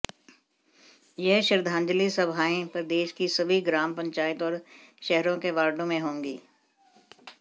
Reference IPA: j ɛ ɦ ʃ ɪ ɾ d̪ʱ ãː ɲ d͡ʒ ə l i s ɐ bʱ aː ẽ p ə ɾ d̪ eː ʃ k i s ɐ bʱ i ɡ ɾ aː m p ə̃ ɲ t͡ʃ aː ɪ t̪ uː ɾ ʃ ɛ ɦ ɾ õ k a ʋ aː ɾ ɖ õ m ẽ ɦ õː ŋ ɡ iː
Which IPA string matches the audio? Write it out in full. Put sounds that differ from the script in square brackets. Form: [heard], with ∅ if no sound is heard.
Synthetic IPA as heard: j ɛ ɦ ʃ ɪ ɾ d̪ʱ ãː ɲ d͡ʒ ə l i s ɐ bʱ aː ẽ p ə ɾ d̪ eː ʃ k i s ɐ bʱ i ɡ ɾ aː m p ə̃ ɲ t͡ʃ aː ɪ t̪ [ɔː] ɾ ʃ ɛ ɦ ɾ õ k [e] ʋ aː ɾ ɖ õ m ẽ ɦ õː ŋ ɡ iː

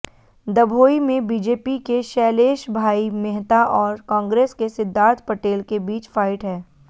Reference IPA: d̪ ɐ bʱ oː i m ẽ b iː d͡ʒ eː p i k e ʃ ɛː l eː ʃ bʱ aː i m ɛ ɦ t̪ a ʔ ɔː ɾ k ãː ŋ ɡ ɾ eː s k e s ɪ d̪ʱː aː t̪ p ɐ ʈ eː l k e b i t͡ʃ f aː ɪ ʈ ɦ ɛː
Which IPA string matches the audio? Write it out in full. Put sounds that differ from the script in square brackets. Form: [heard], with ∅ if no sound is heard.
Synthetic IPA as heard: d̪ ɐ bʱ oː i m ẽ b iː d͡ʒ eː p i k e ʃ ɛː l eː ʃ bʱ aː i m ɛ ɦ t̪ a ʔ ɔː ɾ k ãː ŋ ɡ ɾ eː s k e s ɪ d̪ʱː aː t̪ p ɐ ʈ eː l k e b [iː] t͡ʃ f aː ɪ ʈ ɦ ɛː

